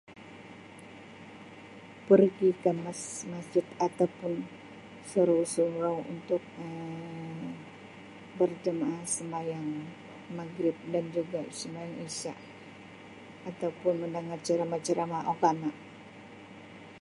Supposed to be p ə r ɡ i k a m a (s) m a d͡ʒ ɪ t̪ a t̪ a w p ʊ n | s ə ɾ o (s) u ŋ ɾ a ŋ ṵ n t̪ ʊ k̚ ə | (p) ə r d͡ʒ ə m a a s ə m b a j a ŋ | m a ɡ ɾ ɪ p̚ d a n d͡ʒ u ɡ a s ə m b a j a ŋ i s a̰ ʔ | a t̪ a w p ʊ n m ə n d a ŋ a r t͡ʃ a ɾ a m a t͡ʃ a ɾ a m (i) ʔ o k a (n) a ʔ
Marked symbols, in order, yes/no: yes, yes, no, no, yes

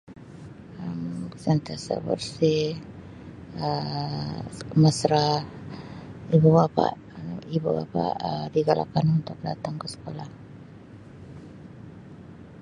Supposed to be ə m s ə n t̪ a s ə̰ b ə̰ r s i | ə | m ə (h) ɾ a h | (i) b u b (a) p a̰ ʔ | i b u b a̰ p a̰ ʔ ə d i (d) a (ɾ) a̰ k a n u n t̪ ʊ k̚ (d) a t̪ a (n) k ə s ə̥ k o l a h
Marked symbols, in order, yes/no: no, yes, yes, no, no, yes, no

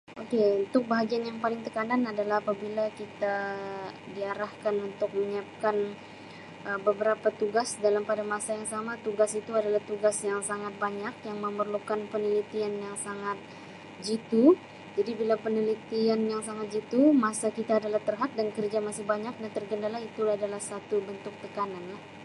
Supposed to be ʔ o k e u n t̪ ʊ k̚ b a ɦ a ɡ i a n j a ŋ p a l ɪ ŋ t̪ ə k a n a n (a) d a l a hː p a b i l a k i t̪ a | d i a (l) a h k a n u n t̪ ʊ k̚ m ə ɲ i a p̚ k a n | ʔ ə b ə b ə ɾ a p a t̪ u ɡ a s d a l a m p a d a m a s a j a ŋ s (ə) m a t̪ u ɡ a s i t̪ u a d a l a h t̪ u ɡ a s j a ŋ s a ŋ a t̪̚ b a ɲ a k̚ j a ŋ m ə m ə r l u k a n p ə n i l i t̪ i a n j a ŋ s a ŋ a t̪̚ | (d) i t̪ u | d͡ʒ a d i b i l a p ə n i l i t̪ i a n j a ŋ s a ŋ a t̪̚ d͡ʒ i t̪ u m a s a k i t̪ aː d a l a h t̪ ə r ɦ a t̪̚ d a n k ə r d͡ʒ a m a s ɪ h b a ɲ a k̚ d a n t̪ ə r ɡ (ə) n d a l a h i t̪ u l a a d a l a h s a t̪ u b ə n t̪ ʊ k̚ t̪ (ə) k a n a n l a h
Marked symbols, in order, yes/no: yes, no, no, no, yes, yes

